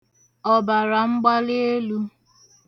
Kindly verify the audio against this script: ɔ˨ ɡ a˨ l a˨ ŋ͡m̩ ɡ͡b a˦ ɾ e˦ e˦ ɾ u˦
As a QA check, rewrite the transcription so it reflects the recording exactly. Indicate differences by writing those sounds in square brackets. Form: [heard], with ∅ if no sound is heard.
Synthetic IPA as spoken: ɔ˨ [b] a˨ [ɾ] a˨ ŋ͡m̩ ɡ͡b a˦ [l] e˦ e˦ [l] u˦